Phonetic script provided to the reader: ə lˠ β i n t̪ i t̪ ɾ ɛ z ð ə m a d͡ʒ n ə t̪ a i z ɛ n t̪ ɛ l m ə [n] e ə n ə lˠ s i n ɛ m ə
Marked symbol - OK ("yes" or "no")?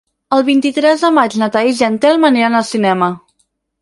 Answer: yes